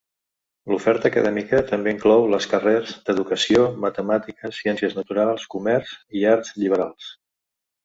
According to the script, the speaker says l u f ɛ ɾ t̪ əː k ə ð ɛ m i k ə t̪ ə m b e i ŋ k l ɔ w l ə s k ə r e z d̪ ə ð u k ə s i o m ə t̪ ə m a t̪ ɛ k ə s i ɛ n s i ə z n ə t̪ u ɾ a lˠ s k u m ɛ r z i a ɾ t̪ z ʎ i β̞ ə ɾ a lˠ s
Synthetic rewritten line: l u f ɛ ɾ t̪ əː k ə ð ɛ m i k ə t̪ ə m b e i ŋ k l ɔ w l ə s k ə r e z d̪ ə ð u k ə s i o m ə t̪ ə m a t̪ i k ə s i ɛ n s i ə z n ə t̪ u ɾ a lˠ s k u m ɛ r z i a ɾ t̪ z ʎ i β̞ ə ɾ a lˠ s